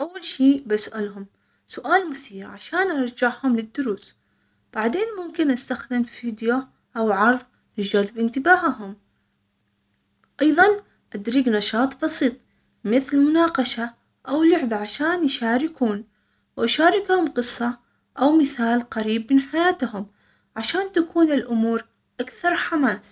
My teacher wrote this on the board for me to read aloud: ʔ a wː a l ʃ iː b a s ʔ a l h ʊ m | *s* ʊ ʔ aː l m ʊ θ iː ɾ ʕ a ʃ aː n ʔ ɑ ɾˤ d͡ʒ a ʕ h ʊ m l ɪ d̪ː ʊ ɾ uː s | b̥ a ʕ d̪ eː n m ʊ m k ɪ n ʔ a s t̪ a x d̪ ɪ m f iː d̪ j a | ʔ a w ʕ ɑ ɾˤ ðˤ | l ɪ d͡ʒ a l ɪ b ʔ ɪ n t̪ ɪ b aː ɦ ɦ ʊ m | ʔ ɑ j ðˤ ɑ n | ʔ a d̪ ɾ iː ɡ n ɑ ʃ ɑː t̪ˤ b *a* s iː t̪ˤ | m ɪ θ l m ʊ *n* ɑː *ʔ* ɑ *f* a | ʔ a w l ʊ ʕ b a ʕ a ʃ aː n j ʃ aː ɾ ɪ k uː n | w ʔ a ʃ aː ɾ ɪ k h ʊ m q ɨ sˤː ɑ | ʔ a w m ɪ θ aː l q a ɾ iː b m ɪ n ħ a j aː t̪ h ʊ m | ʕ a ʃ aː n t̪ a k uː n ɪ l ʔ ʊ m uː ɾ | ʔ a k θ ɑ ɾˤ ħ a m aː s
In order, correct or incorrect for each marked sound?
correct, incorrect, correct, incorrect, incorrect

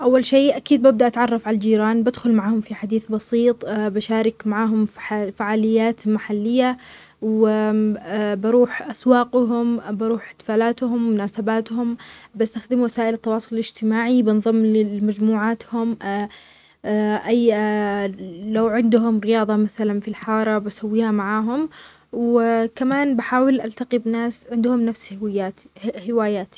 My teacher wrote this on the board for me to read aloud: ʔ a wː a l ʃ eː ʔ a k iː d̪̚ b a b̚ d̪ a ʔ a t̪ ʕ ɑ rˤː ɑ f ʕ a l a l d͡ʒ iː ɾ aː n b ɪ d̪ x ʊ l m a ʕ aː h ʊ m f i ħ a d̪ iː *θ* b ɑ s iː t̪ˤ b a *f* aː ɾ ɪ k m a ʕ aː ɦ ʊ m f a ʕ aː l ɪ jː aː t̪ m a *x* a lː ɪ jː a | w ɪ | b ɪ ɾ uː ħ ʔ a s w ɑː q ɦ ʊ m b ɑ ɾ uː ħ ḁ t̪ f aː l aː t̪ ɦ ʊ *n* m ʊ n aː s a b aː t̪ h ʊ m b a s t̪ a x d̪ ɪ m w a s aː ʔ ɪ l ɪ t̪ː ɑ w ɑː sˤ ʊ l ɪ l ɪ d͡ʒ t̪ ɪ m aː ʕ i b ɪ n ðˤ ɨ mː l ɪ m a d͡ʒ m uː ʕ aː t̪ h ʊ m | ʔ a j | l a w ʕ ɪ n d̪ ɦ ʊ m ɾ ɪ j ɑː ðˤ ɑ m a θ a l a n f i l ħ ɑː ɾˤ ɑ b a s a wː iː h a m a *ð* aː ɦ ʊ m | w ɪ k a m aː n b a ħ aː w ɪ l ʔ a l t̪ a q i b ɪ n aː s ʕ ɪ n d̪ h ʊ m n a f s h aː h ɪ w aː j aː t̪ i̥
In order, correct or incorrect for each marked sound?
correct, incorrect, incorrect, incorrect, incorrect

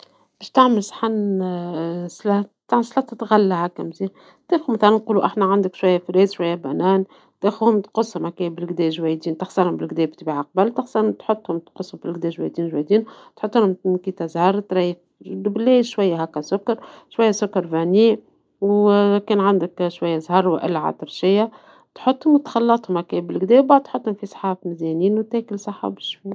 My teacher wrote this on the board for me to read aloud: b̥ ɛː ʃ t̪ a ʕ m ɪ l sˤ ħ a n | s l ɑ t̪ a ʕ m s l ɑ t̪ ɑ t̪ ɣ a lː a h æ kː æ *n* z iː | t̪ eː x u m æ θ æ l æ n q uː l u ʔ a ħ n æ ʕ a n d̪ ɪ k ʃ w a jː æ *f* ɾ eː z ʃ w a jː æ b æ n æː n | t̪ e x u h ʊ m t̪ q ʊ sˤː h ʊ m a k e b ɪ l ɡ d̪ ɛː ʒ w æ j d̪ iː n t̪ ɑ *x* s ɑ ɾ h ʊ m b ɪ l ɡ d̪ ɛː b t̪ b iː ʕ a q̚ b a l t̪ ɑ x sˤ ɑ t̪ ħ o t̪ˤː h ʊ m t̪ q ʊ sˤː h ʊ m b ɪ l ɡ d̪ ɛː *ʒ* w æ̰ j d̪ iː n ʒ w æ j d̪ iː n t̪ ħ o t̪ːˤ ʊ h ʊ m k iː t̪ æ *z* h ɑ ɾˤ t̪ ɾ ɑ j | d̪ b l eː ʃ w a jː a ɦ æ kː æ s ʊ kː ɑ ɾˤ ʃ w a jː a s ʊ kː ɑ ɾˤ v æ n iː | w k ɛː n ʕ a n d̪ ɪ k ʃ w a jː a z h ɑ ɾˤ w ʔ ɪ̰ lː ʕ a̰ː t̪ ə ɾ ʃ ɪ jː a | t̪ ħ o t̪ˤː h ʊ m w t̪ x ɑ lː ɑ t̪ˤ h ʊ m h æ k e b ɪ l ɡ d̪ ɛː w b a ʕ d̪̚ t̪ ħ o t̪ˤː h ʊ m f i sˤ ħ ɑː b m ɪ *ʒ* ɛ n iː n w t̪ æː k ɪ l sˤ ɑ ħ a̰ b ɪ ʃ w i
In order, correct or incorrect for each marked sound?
incorrect, correct, correct, correct, correct, incorrect

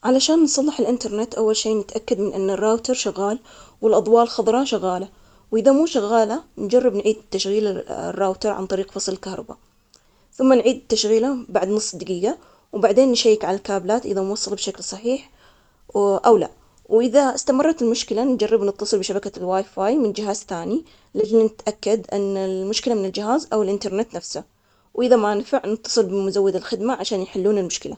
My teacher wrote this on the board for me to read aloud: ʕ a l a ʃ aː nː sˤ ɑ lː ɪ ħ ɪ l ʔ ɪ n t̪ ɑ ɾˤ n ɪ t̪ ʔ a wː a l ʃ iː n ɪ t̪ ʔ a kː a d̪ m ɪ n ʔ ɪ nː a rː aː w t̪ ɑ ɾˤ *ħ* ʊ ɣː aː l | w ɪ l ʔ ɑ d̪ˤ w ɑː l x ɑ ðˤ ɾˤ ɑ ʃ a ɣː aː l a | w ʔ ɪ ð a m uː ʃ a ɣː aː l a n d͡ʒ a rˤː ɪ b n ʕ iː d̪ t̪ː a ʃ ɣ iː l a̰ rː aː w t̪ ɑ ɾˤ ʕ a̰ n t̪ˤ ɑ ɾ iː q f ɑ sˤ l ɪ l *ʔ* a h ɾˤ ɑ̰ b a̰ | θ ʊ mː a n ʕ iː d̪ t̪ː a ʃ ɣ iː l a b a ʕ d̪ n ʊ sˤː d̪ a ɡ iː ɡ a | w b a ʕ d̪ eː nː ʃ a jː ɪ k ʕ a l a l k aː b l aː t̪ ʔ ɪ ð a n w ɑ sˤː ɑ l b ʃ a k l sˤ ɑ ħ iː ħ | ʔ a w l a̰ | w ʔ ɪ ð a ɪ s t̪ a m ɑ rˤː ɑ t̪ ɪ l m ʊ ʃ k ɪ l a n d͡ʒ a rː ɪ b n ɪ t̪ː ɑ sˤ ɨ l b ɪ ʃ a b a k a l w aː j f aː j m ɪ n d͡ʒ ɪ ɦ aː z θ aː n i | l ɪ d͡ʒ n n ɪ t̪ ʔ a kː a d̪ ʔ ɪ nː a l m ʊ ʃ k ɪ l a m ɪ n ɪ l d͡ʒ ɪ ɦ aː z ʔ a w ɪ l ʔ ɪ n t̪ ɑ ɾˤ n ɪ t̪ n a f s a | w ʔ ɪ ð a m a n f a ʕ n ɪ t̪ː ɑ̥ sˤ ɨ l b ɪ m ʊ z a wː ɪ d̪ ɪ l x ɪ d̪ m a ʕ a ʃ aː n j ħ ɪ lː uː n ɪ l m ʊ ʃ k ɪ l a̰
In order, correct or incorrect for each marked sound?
incorrect, incorrect

